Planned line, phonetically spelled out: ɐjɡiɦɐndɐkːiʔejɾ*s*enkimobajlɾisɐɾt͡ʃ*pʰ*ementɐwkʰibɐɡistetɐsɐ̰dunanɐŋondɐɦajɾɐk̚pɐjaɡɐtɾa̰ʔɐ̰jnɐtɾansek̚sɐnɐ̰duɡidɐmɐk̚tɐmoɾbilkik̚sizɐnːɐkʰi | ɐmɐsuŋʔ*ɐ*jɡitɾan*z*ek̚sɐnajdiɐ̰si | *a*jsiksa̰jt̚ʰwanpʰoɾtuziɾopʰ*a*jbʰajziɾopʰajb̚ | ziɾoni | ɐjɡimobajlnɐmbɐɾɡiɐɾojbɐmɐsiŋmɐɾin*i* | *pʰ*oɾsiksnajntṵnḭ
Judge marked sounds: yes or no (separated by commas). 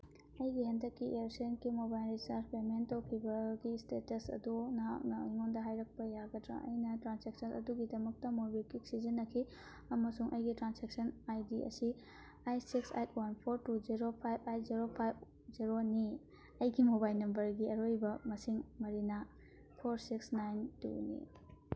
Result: yes, no, yes, no, yes, yes, no, yes